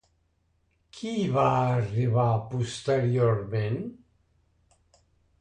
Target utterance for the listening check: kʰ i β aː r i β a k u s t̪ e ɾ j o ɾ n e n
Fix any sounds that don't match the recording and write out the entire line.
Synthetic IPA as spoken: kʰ i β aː r i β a p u s t̪ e ɾ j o ɾ m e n